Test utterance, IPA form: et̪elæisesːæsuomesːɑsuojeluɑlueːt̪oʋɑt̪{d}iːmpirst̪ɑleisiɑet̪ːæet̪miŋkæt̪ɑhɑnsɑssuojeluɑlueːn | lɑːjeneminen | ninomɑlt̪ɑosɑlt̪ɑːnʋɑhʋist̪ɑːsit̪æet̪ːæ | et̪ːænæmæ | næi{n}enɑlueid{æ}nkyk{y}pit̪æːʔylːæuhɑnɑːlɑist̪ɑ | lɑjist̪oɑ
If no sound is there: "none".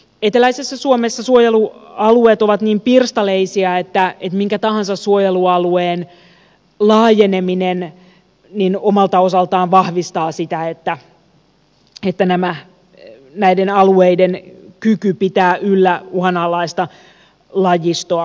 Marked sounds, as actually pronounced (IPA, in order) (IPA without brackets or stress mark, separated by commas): n, d, e, y